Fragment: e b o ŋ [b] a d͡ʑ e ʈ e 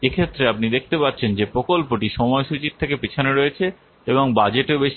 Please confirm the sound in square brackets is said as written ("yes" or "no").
yes